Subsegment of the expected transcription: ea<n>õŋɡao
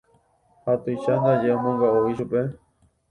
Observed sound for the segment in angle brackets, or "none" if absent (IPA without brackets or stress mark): m